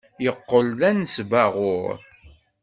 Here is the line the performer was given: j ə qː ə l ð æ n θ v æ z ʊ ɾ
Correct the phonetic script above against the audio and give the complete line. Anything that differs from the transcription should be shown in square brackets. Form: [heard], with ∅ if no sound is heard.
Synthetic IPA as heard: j ə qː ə l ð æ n [s] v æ [ʁ] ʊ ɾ